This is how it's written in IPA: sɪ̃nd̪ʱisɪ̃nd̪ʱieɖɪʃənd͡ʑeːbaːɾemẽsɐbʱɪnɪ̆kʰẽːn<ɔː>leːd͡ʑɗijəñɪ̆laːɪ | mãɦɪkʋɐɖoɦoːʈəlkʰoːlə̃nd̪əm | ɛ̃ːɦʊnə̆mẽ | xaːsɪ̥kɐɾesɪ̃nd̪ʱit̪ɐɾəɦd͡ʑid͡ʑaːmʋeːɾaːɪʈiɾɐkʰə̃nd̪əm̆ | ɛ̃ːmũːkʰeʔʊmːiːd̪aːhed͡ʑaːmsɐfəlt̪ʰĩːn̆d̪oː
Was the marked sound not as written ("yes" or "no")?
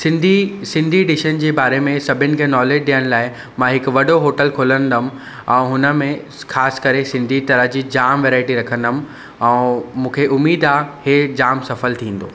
no